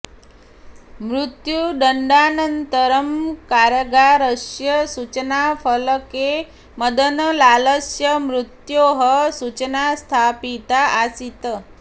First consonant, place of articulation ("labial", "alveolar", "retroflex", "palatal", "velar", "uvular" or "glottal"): labial